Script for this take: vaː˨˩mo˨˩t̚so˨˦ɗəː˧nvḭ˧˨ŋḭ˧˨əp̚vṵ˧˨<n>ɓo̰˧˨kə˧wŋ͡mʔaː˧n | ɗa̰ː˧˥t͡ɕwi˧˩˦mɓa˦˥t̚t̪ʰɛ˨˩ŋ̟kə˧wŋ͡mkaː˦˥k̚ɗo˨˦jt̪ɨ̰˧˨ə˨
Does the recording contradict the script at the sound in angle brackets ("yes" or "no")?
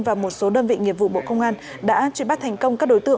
yes